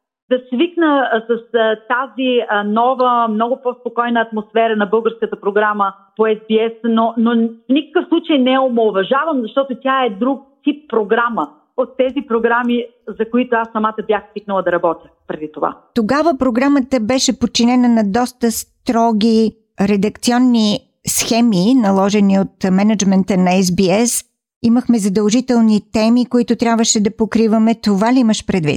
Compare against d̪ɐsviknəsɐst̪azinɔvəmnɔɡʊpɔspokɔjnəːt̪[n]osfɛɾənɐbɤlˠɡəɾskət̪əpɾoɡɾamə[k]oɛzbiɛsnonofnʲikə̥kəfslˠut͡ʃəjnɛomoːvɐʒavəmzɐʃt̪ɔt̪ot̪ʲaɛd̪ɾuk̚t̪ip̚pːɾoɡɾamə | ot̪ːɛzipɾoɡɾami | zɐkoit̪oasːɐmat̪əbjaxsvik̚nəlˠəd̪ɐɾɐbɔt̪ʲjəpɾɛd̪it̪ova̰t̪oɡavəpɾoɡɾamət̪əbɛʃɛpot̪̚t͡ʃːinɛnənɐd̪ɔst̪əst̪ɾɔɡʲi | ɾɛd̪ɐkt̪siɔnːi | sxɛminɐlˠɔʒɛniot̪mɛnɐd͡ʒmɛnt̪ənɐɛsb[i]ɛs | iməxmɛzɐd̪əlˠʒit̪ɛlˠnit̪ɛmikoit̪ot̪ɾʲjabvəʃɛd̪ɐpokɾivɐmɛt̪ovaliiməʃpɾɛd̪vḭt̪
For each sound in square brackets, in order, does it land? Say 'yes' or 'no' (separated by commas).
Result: no, no, yes